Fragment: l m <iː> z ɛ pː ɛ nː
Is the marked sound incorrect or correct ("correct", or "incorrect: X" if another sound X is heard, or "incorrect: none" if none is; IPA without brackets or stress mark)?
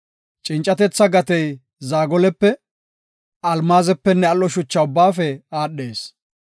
incorrect: aː